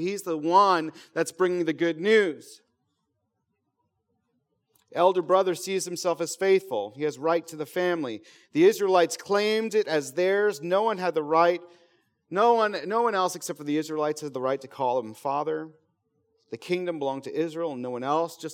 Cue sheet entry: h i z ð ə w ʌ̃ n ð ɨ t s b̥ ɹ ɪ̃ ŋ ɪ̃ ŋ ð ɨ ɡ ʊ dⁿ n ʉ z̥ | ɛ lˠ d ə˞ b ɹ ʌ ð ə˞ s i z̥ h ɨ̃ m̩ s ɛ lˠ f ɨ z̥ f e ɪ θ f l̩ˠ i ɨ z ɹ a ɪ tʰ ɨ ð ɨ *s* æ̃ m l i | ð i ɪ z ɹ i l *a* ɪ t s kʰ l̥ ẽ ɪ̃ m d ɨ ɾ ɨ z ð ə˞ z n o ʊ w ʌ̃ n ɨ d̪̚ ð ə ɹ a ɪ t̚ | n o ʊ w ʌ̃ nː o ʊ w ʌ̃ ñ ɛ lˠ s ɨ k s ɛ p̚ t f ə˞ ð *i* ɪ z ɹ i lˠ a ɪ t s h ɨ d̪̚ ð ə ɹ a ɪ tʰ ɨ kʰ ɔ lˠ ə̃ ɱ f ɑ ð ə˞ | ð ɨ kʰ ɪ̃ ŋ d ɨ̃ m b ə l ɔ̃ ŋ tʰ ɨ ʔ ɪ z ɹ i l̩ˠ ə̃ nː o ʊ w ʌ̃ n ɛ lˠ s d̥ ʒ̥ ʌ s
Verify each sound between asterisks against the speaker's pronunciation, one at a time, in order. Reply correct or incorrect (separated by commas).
incorrect, correct, correct